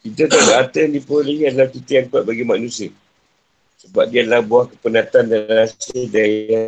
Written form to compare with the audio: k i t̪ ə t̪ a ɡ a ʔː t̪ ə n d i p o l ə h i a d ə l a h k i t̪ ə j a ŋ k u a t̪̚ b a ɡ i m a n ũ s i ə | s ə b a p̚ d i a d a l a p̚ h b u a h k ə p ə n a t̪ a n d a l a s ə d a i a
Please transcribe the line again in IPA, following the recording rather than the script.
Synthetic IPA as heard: k i t̪ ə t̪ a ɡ a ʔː t̪ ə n d i p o l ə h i a d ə l a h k i t̪ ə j a ŋ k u a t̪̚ b a ɡ i m a n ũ s i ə | s ə b a p̚ d i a d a l a h b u a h k ə p ə n a t̪ a n d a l a s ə d a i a